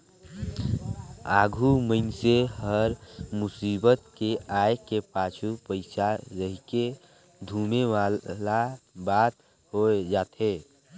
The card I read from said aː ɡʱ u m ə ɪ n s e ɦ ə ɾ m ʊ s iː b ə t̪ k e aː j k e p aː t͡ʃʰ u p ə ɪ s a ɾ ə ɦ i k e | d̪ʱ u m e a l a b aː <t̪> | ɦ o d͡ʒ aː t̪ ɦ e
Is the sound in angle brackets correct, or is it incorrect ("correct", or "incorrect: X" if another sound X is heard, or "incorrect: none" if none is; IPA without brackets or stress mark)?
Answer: correct